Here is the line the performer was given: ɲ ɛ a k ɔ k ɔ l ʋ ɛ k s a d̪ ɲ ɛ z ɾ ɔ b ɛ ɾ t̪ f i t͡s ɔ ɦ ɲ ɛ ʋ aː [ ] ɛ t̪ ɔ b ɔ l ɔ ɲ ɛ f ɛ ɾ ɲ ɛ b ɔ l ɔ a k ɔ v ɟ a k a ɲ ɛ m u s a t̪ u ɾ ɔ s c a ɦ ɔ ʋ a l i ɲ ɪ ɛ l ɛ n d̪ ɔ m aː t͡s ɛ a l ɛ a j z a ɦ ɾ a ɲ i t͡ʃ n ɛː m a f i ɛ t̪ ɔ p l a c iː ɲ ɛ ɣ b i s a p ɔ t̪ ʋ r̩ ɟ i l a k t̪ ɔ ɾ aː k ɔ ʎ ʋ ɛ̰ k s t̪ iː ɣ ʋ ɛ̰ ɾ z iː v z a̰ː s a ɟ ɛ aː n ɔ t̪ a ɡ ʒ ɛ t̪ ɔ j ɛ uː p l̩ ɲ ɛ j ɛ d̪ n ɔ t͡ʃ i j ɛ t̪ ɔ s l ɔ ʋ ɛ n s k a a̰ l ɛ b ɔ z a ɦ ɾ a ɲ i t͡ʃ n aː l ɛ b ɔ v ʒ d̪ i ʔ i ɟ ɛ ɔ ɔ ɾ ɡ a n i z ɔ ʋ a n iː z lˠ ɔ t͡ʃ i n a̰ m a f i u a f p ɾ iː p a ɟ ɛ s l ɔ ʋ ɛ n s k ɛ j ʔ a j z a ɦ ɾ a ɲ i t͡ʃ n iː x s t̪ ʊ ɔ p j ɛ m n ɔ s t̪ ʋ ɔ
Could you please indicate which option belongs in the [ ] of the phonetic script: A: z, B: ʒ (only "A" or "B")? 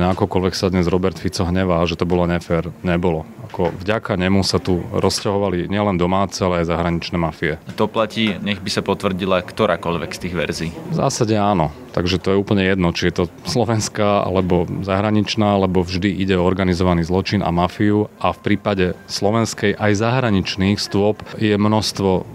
B